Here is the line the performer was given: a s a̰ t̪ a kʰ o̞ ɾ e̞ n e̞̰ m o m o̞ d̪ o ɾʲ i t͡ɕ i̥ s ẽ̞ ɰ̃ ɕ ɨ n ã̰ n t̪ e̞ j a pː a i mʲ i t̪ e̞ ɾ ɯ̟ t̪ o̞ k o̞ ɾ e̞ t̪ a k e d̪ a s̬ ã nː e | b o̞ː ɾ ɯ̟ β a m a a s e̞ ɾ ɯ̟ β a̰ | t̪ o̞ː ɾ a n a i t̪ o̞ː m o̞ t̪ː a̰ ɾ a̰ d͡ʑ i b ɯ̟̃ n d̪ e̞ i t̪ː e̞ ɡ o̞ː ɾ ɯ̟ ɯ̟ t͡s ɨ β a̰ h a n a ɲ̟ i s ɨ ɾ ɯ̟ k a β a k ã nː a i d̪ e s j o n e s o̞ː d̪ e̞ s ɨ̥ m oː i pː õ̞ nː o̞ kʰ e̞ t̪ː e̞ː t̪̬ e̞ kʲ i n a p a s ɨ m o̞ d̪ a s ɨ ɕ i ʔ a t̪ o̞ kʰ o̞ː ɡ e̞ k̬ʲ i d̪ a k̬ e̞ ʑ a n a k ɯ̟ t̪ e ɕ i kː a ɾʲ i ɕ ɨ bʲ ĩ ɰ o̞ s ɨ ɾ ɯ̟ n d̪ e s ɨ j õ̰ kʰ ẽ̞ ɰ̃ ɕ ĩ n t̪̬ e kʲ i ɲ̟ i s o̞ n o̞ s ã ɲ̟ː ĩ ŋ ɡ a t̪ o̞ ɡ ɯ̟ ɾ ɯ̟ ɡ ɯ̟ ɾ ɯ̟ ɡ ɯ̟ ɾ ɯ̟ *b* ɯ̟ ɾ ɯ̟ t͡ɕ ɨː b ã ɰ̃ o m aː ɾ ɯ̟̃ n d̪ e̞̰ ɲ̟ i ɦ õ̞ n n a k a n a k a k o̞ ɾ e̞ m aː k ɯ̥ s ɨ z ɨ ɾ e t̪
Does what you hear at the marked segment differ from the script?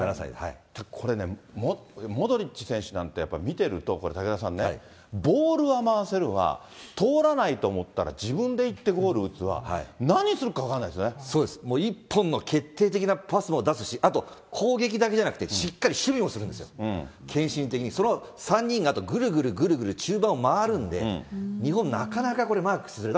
yes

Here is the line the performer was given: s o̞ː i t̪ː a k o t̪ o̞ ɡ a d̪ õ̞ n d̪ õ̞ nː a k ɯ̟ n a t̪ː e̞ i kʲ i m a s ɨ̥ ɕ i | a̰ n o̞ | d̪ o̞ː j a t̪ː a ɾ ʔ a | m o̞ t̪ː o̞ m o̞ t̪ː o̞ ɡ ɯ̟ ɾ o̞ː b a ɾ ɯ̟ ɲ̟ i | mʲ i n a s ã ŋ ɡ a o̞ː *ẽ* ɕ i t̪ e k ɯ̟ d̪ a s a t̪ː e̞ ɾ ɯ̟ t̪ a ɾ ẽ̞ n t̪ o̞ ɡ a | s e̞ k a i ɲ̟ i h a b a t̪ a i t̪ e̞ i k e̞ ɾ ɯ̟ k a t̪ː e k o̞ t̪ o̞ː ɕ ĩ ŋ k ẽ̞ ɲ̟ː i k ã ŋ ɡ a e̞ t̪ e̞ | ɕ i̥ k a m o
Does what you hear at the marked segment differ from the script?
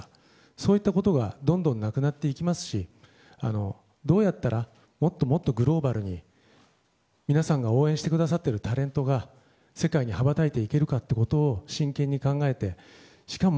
no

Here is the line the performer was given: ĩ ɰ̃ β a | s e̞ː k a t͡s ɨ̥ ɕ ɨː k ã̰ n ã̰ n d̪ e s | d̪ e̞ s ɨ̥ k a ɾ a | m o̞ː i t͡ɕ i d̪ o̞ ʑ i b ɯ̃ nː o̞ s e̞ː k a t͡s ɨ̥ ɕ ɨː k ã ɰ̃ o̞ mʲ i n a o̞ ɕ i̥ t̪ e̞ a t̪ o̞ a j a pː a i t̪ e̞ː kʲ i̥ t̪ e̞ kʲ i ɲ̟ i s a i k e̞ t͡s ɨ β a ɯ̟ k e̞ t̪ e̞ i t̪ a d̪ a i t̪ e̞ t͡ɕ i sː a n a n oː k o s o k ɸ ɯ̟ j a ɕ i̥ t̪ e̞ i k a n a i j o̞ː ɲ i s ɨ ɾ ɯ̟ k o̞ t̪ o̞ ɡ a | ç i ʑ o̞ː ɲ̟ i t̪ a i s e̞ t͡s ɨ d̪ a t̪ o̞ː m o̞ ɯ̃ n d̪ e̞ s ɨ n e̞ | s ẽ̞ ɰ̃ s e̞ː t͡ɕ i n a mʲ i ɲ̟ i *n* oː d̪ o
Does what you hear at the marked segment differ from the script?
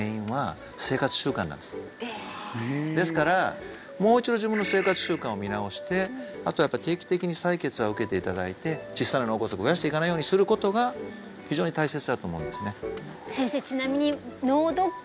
no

